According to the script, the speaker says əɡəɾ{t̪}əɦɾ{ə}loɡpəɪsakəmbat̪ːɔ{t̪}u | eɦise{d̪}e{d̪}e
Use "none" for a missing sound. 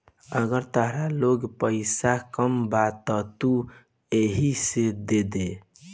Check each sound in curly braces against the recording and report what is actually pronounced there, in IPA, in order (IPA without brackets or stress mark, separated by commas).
t̪, a, t̪, d̪, d̪